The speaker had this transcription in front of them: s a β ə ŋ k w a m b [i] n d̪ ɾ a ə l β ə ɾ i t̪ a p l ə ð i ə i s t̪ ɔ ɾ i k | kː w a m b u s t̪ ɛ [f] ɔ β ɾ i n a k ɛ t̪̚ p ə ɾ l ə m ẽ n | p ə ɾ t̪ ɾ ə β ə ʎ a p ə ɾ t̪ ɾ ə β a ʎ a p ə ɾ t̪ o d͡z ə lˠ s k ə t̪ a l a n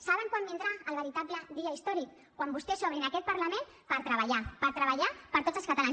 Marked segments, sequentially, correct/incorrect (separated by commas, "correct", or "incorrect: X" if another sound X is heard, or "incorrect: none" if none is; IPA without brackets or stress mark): correct, incorrect: s